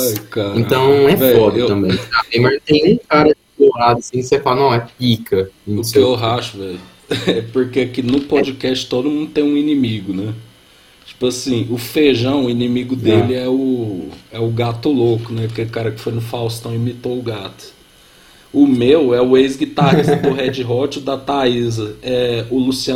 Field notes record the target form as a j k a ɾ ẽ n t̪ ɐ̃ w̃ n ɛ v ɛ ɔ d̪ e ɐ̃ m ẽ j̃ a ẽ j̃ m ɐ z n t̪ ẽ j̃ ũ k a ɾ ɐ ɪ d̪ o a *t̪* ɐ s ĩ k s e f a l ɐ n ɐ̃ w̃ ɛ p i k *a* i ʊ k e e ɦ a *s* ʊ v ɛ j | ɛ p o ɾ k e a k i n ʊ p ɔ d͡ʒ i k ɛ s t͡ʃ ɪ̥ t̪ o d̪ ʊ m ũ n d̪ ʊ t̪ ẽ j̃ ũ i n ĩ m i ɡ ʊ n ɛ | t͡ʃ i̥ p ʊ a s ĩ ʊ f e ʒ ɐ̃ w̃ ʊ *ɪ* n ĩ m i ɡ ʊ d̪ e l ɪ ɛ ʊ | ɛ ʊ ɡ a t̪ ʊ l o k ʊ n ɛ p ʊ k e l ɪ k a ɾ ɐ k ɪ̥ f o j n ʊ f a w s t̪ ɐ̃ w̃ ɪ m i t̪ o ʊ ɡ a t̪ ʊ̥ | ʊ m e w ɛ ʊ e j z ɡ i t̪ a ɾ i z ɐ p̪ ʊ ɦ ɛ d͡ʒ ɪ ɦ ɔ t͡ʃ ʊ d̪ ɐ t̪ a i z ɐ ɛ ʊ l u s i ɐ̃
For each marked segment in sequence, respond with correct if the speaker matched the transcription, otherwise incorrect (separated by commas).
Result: incorrect, incorrect, incorrect, incorrect